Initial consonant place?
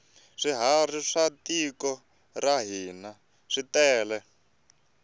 retroflex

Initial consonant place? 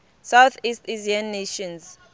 alveolar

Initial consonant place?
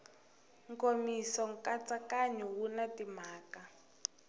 velar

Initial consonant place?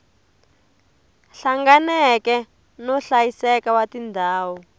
alveolar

